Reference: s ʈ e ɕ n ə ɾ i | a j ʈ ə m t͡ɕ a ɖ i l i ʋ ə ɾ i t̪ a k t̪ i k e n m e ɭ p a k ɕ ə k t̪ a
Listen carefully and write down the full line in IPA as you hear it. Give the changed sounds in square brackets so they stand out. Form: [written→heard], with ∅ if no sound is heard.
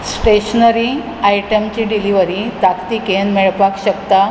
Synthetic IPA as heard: s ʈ e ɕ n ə ɾ i | a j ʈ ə m t͡ɕ [a→i] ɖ i l i ʋ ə ɾ i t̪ a k t̪ i k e n m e ɭ p a k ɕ ə k t̪ a